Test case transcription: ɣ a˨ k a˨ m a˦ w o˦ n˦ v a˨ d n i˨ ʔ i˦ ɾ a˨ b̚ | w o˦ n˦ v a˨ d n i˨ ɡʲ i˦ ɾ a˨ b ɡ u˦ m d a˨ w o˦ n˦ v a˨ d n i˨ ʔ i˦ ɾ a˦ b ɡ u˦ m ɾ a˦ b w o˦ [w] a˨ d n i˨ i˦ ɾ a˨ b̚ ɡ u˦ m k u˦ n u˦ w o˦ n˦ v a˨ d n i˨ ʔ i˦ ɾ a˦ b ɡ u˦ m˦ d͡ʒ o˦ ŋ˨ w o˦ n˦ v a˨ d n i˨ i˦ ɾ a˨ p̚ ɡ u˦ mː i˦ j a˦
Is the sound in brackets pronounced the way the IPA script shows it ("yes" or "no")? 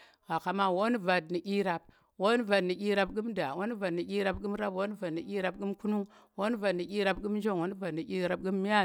no